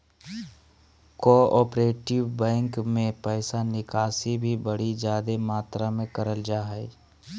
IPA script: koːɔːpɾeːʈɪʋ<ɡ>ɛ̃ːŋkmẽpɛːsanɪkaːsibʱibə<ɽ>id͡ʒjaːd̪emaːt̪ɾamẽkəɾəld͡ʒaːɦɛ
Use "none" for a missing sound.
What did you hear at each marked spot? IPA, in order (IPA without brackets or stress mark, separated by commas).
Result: b, ɽ